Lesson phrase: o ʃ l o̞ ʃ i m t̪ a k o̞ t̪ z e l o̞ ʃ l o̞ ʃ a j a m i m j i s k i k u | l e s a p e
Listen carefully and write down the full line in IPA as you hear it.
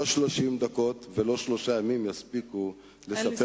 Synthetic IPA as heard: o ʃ l o̞ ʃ i m d̪ a k o̞ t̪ v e l o̞ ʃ l o̞ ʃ a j a m i m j a s p i k u | l e s a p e